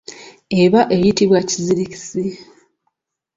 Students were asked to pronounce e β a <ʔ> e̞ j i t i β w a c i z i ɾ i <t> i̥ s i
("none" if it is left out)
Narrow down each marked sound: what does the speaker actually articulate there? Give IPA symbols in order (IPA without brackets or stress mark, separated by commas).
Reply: ʔ, c